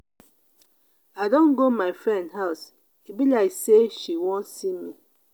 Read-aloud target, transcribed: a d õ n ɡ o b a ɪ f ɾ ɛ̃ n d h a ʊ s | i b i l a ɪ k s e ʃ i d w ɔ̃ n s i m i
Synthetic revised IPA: a d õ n ɡ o m a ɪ f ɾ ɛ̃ n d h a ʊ s | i b i l a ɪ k s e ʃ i w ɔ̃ n s i m i